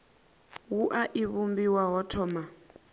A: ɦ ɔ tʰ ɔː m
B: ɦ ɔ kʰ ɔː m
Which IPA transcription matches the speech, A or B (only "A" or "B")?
A